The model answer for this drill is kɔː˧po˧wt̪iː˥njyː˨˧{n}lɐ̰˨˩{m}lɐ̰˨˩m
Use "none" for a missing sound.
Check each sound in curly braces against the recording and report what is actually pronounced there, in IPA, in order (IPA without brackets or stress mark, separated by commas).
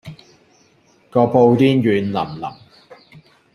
n, m